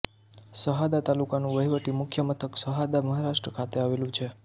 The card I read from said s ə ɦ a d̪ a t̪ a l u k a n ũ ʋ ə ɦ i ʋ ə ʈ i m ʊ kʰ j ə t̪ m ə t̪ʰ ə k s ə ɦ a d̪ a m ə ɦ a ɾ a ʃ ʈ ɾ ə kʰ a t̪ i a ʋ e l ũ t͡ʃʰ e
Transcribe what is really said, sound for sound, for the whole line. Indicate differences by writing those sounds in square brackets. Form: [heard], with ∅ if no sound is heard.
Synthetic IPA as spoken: s ə ɦ a d̪ a t̪ a l u k a n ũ ʋ ə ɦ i ʋ ə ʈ i m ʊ kʰ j ə [∅] m ə t̪ʰ ə k s ə ɦ a d̪ a m ə ɦ a ɾ a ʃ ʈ ɾ ə kʰ a t̪ [e] a ʋ e l ũ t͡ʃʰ e